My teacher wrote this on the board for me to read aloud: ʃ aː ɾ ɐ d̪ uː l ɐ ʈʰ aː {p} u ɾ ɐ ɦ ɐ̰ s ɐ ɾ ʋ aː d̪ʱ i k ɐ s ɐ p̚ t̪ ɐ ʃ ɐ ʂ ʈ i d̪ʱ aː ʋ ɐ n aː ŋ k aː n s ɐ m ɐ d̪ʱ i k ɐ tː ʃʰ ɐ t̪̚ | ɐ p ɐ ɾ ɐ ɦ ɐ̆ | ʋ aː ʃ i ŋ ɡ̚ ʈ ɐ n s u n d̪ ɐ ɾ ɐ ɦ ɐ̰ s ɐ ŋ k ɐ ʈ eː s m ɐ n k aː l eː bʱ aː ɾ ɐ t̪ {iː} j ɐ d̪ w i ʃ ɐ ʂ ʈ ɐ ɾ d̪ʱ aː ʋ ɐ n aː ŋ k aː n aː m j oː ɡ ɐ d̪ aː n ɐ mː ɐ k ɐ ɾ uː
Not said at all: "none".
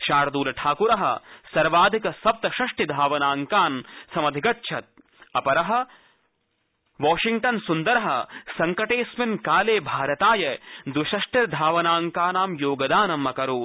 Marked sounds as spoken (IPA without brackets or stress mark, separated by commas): k, aː